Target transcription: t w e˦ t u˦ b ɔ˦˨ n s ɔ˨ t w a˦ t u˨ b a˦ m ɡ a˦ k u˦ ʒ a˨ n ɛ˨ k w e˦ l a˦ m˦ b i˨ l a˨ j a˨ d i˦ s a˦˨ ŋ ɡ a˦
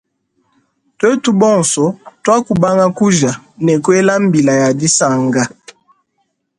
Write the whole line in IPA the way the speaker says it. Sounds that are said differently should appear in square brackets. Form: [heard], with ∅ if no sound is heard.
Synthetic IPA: t w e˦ t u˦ b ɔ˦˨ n s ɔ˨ t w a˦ [k] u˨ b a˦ [ŋ] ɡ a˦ k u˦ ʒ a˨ n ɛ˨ k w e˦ l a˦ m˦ b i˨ l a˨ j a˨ d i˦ s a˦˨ ŋ ɡ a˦